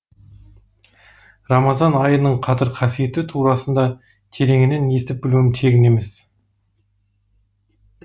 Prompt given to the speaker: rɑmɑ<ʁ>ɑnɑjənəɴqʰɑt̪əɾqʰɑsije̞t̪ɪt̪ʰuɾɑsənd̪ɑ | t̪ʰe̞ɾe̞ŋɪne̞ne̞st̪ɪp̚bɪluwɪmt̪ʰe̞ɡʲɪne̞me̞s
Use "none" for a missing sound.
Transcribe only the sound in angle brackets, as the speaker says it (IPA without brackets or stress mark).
z